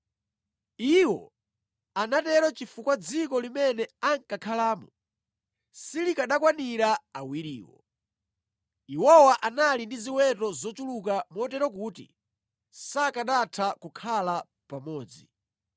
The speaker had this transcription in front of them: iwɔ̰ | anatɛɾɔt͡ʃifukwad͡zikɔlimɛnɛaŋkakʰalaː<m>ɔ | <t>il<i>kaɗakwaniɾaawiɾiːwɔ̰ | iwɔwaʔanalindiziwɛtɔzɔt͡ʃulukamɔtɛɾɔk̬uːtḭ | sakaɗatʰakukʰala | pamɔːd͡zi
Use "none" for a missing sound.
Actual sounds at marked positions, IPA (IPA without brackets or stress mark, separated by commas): m, s, i